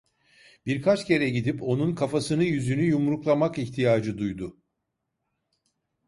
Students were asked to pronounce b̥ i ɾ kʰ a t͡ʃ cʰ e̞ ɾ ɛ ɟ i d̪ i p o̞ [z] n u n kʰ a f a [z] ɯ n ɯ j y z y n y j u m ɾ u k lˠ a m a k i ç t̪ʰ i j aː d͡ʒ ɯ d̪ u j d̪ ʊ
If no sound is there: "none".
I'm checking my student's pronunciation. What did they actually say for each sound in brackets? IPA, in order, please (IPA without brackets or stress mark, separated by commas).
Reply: none, s